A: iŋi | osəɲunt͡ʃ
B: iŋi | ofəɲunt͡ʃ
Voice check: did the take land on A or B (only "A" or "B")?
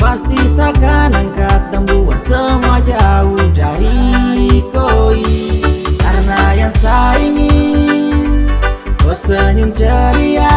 A